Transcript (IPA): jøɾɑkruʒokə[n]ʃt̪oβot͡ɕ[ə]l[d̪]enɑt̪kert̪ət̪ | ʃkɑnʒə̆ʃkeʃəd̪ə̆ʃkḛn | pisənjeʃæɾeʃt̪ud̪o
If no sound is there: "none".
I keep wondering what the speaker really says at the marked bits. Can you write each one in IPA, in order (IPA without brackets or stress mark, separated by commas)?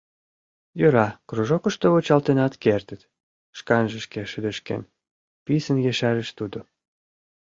none, ɑ, t̪